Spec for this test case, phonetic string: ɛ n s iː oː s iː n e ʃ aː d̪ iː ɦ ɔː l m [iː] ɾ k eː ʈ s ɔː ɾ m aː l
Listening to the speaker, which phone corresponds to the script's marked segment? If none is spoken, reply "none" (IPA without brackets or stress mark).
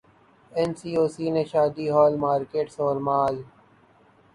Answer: aː